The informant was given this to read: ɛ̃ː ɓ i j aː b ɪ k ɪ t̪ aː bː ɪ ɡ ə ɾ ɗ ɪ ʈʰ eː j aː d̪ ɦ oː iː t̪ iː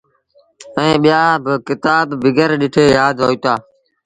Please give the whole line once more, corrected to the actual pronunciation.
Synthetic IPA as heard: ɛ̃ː ɓ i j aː b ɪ k ɪ t̪ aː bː ɪ ɡ ə ɾ ɗ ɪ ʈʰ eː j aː d̪ ɦ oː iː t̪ aː

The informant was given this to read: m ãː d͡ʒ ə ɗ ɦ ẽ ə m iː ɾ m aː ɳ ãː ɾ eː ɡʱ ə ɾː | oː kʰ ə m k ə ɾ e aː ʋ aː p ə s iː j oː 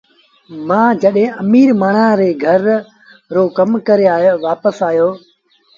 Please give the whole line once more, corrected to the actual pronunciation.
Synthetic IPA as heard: m ãː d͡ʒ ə ɗ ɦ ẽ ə m iː ɾ m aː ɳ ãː ɾ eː ɡʱ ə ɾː | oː k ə m k ə ɾ e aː ʋ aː p ə s aː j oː

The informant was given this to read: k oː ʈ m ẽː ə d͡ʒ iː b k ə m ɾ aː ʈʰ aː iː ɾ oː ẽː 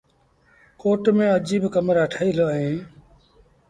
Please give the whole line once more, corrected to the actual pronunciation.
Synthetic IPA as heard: k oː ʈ m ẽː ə d͡ʒ iː b k ə m ɾ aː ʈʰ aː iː l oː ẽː

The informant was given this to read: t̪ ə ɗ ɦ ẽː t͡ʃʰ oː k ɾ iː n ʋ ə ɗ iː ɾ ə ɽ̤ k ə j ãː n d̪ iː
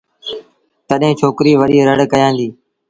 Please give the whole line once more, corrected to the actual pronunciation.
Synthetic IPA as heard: t̪ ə ɗ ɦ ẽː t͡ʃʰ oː k ɾ iː ʋ ə ɗ iː ɾ ə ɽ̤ k ə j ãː n d̪ iː

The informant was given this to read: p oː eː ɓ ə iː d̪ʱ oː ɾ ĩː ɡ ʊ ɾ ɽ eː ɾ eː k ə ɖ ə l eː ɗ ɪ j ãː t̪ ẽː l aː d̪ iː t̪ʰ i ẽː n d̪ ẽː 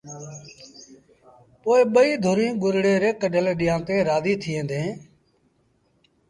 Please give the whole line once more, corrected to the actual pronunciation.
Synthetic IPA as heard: p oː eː ɓ ə iː d̪ʱ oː ɾ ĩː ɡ ʊ ɾ ɽ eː ɾ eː k ə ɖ ə l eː ɗ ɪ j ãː t̪ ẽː ɾ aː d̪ iː t̪ʰ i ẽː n d̪ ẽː

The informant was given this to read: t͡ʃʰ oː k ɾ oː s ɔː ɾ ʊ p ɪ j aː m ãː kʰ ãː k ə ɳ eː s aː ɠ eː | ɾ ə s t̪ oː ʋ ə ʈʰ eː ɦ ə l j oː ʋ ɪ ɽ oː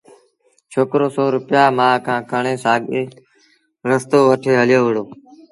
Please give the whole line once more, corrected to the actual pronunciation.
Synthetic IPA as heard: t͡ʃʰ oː k ɾ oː s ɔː ɾ ʊ p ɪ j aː m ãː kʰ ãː k ə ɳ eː s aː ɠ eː | ɾ ə s t̪ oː ʋ ə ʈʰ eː ɦ ə l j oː ʋ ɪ ɽ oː

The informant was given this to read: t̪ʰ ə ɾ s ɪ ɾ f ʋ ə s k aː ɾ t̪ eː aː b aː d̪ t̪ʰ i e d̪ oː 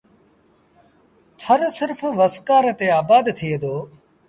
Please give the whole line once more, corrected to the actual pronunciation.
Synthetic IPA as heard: t̪ʰ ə ɾ s ɪ ɾ f ʋ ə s k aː ɾ t̪ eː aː b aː d̪ t̪ʰ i e d̪ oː

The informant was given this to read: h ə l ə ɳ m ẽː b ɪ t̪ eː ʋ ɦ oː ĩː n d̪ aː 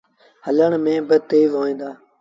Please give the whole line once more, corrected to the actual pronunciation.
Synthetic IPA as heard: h ə l ə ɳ m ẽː b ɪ t̪ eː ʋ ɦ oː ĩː n d̪ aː

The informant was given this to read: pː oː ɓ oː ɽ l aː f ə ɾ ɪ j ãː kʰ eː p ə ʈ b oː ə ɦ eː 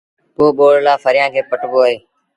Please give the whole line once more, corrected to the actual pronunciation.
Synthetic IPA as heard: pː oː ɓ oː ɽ l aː f ə ɾ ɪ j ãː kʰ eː p ə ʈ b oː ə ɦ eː

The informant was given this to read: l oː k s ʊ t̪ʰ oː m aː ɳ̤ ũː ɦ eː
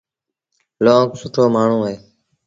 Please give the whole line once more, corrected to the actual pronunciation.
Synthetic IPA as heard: l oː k s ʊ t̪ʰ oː m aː ɳ̤ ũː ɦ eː

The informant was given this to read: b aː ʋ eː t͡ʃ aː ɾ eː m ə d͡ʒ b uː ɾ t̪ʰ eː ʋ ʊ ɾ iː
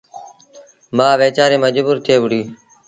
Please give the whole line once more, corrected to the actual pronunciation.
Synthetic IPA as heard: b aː ʋ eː t͡ʃ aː ɾ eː m ə d͡ʒ b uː ɾ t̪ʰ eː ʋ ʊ ɽ iː

